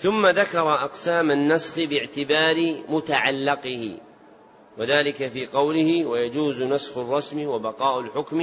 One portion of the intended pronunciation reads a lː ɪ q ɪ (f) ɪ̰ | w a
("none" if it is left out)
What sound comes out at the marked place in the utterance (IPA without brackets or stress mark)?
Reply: h